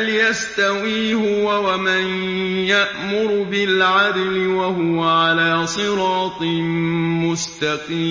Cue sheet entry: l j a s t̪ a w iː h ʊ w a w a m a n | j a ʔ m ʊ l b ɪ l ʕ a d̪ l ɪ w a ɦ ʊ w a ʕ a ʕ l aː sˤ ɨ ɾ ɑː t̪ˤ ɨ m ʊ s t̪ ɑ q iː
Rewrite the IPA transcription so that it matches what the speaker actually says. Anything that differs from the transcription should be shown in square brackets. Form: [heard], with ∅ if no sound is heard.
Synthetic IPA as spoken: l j a s t̪ a w iː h ʊ w a w a m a n | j a ʔ m ʊ [ɾ] b ɪ l ʕ a d̪ l ɪ w a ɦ ʊ w a ʕ a [∅] l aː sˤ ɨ ɾ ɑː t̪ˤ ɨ m ʊ s t̪ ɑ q iː